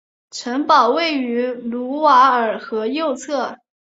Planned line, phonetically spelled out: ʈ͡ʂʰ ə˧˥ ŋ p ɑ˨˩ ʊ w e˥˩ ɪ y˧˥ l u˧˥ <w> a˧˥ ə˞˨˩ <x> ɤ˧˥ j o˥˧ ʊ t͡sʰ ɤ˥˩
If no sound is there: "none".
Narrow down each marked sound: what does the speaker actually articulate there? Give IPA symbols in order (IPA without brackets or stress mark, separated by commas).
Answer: w, x